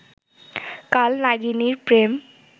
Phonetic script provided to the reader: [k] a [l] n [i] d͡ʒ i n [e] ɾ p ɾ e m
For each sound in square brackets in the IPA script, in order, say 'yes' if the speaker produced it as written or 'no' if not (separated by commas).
yes, yes, no, no